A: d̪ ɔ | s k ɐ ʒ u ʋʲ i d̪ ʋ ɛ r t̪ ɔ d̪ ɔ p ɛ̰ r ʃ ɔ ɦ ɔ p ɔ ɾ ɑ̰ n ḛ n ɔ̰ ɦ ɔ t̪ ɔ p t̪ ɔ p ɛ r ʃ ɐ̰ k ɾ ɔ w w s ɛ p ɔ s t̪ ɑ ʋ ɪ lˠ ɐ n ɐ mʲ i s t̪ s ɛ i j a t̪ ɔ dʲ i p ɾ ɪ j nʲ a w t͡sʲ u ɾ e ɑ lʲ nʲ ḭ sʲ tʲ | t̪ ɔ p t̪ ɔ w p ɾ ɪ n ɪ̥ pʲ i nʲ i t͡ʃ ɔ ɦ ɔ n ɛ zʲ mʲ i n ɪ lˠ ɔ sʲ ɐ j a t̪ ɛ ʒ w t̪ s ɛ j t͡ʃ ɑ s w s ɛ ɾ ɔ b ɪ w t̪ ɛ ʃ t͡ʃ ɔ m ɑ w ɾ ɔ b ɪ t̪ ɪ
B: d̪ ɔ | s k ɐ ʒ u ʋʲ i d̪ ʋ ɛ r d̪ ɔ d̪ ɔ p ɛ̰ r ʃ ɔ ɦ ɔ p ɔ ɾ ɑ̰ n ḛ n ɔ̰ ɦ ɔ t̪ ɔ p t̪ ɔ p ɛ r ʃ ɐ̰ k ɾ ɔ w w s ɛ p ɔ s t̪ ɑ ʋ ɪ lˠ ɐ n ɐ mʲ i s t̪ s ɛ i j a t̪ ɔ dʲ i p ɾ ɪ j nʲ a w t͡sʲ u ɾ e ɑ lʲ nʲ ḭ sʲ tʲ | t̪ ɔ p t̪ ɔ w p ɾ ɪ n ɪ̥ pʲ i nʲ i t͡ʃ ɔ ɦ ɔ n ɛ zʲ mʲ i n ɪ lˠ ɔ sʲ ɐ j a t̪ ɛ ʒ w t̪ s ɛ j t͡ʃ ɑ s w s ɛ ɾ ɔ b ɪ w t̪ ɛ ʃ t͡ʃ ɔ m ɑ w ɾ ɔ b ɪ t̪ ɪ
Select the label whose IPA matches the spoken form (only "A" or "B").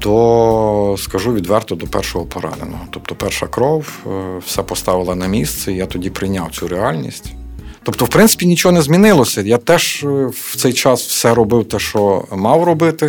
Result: A